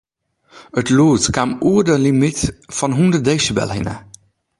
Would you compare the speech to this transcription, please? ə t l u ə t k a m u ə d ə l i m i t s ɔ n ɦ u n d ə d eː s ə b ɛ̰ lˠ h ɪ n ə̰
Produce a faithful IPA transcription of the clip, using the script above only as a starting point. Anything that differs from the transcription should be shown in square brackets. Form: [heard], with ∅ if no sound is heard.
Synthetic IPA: ə t l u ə t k a m u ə d ə l i m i t [f] ɔ n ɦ u n d ə d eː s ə b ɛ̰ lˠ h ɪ n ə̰